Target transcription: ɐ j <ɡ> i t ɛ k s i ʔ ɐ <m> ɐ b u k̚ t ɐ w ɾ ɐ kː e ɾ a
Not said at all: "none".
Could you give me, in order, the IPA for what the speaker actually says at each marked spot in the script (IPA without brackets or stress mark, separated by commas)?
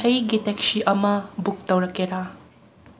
ɡ, m